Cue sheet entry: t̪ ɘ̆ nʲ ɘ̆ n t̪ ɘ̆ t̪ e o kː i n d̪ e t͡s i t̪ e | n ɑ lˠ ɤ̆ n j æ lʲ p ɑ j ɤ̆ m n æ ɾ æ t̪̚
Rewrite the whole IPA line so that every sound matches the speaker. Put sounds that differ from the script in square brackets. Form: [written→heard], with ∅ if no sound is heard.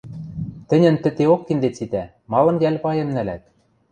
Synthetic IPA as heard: t̪ ɘ̆ nʲ ɘ̆ n t̪ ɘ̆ t̪ e o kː i n d̪ e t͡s i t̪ [e→æ] | [n→m] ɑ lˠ ɤ̆ n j æ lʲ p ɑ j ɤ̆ m n æ [ɾ→l] æ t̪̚

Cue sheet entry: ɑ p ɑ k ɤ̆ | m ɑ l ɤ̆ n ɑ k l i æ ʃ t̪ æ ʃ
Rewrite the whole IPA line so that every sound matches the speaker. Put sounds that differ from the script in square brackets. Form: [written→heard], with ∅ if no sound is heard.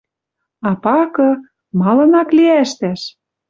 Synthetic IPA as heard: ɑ p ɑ k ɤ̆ | m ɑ l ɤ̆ n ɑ k l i æ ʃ t̪ æ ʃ

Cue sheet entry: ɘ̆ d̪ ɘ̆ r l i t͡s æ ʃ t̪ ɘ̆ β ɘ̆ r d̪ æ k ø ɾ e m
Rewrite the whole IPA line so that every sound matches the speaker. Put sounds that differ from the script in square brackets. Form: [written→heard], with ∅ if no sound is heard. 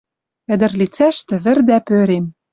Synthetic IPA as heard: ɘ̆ d̪ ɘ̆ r l i t͡s æ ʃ t̪ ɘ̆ β ɘ̆ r d̪ æ [k→p] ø ɾ e m

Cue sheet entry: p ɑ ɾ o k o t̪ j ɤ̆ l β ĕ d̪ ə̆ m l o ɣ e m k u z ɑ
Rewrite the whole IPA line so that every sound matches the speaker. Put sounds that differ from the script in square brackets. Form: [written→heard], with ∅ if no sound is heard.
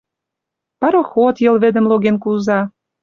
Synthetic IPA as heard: p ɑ ɾ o [k→x] o t̪ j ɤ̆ l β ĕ d̪ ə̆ m l o ɣ e [m→n] k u z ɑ

